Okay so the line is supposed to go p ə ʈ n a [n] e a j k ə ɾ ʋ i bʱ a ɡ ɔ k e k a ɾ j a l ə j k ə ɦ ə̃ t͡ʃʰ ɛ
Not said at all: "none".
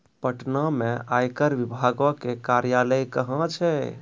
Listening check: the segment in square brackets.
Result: m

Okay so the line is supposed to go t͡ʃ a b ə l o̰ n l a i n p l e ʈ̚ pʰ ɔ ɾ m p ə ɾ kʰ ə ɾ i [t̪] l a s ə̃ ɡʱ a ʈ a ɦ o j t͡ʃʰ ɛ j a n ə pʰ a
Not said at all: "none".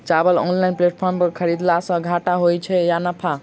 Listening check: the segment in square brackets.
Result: d̪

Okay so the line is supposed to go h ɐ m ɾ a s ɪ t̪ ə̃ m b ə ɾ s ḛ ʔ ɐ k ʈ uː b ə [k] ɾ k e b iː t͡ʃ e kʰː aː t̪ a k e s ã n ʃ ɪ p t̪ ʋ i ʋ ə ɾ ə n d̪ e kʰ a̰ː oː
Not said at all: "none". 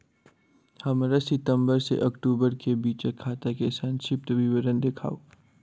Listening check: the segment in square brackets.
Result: none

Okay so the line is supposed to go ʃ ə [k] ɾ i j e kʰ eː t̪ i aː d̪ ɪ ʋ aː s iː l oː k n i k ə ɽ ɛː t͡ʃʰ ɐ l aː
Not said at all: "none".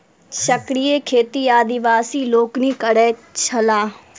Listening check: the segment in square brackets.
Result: k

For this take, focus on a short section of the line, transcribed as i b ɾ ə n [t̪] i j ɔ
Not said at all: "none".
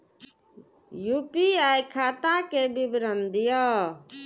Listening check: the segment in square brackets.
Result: d̪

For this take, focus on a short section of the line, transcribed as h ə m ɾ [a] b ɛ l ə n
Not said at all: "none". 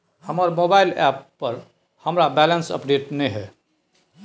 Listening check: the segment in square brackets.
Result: a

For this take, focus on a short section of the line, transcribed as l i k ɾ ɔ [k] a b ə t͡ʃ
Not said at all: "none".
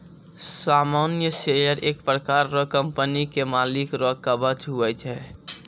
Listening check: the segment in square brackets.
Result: k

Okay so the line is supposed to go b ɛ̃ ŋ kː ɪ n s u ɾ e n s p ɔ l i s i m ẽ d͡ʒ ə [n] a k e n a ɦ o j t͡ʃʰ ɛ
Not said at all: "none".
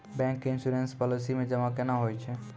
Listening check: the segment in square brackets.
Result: m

